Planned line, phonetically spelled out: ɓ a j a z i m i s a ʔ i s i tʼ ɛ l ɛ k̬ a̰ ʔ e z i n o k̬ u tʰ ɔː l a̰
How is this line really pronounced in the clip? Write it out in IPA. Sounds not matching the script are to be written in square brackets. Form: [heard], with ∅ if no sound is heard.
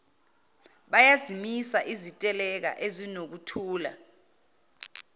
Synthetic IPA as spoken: ɓ a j a z i m i s a ʔ i [z] i tʼ ɛ l ɛ k̬ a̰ ʔ e z i n o k̬ u tʰ [uː] l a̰